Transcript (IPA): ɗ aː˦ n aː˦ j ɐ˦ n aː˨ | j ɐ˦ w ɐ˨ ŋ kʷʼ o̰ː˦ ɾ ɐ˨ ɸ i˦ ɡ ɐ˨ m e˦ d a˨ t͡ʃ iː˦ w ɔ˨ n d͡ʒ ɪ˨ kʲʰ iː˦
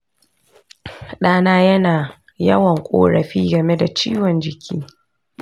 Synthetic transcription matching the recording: ɗ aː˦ n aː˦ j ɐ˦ n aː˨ | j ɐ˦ w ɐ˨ ŋ kʷʼ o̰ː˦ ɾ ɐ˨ ɸ iː˦ ɡ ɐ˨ m e˦ d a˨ t͡ʃ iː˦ w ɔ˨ n d͡ʒ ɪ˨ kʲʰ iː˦